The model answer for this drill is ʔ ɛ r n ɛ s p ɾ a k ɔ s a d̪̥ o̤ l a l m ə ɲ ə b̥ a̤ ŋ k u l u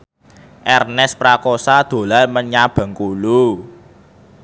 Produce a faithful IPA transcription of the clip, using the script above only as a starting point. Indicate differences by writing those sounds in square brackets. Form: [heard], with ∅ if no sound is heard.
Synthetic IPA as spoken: ʔ ɛ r n ɛ s p ɾ a k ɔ s a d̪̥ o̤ l a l m ə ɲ [a] b̥ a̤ ŋ k u l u